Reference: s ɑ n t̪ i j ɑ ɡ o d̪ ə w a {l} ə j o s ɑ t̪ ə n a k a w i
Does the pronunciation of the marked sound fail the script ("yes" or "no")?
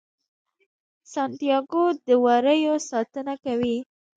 yes